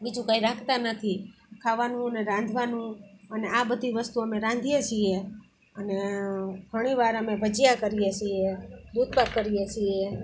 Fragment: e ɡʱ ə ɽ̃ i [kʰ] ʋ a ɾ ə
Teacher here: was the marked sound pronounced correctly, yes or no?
no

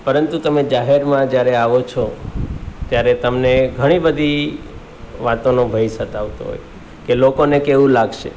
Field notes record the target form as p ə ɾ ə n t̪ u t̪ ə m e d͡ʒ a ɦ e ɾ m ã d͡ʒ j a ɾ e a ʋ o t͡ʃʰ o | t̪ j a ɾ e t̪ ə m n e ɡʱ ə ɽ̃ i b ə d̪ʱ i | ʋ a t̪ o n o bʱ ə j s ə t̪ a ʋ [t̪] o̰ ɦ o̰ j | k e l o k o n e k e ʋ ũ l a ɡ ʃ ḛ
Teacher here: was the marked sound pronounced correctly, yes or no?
yes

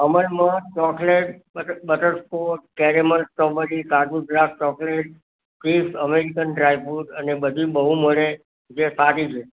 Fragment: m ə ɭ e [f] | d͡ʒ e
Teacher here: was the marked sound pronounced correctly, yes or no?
no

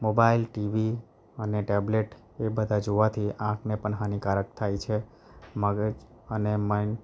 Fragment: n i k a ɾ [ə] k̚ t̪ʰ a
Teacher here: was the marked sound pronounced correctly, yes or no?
yes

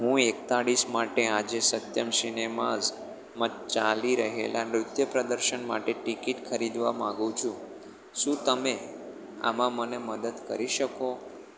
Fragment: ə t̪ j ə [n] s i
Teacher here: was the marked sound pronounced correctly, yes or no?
no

